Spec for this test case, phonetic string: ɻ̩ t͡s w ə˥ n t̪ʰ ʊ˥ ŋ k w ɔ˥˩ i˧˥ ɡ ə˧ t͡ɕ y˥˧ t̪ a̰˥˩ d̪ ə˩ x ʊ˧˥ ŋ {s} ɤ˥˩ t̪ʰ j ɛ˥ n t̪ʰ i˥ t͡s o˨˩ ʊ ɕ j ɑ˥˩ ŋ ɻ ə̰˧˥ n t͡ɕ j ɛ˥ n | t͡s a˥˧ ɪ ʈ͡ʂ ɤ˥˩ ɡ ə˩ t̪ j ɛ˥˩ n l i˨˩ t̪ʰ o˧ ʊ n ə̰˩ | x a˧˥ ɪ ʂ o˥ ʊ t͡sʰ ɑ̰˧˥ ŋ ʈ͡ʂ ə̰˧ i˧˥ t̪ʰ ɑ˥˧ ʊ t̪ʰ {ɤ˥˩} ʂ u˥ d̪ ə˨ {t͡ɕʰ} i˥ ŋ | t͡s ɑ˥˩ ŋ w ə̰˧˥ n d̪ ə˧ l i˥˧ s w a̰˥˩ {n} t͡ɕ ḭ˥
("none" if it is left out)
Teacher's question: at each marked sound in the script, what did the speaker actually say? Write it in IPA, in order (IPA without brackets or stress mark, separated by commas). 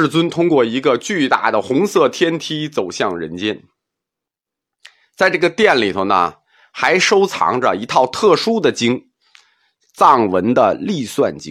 s, ɤ˥˩, t͡ɕ, n